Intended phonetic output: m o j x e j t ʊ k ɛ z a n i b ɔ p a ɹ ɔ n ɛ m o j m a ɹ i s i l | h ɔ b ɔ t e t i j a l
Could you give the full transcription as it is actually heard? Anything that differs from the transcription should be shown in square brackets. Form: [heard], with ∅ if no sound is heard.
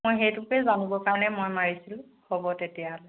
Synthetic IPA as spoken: m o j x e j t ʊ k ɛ z a n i b ɔ [k] a ɹ ɔ n ɛ m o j m a ɹ i s i l | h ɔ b ɔ t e t i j a l